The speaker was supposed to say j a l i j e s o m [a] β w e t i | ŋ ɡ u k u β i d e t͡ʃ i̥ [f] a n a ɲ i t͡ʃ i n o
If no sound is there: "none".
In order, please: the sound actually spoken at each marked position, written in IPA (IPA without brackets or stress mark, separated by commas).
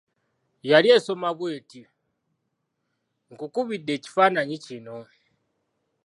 a, f